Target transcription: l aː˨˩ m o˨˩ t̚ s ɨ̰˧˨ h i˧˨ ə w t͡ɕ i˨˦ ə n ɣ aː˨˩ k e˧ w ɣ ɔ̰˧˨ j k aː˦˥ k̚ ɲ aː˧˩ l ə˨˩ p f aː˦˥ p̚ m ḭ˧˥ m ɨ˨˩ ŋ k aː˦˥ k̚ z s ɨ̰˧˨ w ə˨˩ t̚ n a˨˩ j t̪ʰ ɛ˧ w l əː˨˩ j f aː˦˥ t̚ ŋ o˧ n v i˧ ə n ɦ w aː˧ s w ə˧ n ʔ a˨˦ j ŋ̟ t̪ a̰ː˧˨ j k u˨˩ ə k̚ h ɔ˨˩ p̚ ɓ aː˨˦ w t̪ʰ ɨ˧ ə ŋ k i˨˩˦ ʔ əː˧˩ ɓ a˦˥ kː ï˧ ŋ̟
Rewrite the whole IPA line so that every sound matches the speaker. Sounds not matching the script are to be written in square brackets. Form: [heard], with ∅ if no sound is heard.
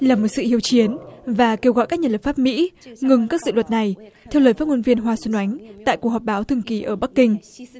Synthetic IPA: l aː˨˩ m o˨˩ t̚ s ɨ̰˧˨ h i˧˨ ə w t͡ɕ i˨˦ ə n [v] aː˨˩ k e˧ w ɣ ɔ̰˧˨ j k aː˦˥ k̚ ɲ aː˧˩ l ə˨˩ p f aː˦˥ p̚ m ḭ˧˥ [ŋ] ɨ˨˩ ŋ k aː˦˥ k̚ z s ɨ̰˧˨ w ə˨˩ t̚ n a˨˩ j t̪ʰ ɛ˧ w l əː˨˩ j f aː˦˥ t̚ ŋ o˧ n v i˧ ə n ɦ w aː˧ s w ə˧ n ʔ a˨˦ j ŋ̟ t̪ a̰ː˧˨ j k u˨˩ ə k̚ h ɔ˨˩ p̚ ɓ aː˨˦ w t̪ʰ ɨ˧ ə ŋ k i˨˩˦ ʔ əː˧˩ ɓ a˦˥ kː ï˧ ŋ̟